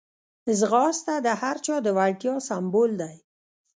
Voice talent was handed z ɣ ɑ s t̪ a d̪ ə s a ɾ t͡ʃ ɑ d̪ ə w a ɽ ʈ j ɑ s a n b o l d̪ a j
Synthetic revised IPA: z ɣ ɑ s t̪ a d̪ ə h a ɾ t͡ʃ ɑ d̪ ə w a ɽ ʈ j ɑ s a m b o l d̪ a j